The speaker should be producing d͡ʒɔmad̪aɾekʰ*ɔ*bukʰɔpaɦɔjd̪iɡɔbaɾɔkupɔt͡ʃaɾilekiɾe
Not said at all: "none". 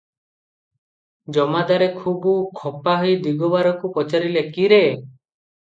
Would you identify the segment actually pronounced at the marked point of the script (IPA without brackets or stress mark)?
u